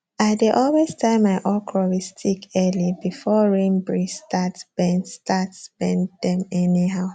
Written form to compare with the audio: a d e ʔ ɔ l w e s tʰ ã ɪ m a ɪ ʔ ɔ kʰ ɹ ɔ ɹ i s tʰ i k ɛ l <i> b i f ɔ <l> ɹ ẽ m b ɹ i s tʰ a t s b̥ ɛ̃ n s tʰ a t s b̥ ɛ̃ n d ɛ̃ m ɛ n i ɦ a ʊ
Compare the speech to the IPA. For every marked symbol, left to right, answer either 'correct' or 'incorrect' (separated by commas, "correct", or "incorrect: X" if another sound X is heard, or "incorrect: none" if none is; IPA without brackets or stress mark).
correct, incorrect: none